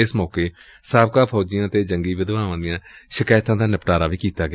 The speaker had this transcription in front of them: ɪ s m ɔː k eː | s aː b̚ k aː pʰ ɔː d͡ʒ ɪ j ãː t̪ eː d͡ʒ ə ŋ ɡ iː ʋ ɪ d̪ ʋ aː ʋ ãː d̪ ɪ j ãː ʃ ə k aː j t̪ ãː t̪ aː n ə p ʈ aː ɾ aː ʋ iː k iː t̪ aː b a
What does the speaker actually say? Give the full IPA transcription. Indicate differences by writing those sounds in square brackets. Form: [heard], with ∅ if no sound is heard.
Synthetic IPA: ɪ s m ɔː k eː | s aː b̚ k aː pʰ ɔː d͡ʒ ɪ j ãː t̪ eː d͡ʒ ə ŋ ɡ iː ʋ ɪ d̪ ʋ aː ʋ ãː d̪ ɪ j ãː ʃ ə k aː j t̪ ãː [d̪] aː n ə p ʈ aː ɾ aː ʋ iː k iː t̪ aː [ɡ] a